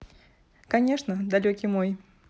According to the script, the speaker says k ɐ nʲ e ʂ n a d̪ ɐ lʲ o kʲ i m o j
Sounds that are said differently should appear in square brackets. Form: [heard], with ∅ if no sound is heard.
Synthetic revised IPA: k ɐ nʲ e ʂ n [ə] d̪ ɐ lʲ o kʲ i m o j